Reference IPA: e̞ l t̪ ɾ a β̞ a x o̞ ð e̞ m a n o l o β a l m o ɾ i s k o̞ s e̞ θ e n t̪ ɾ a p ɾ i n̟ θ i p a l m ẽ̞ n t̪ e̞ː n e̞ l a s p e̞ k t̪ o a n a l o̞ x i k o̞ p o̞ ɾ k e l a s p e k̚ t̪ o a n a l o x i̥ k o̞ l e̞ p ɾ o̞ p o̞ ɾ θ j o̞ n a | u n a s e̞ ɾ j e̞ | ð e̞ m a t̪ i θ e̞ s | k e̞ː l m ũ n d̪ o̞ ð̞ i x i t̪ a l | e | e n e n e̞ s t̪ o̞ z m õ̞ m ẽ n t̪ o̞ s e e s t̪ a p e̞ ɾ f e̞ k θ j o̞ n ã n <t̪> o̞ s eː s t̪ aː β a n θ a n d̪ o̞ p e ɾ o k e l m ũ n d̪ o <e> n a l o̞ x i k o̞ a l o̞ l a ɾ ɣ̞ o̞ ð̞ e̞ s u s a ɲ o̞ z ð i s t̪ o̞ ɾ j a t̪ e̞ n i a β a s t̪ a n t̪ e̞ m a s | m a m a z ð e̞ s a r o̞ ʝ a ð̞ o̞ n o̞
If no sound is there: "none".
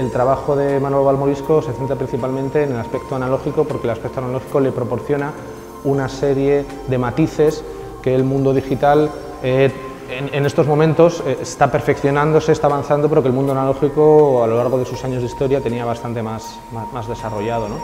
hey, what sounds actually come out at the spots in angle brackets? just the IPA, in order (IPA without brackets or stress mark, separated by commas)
d̪, a